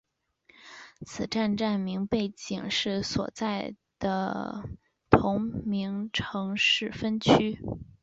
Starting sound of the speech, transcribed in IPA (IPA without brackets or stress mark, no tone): t͡sʰ